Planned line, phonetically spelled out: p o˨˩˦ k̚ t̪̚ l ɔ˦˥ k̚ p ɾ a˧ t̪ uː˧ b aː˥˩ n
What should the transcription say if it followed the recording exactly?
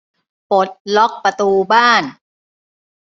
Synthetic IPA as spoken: p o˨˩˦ t̪̚ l ɔ˦˥ k̚ p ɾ a˧ t̪ uː˧ b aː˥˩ n